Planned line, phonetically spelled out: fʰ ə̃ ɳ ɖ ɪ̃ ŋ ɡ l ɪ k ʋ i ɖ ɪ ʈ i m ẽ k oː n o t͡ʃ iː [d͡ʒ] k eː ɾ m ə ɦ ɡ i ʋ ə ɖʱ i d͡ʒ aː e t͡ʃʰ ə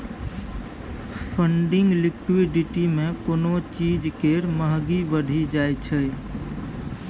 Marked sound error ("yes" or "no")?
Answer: no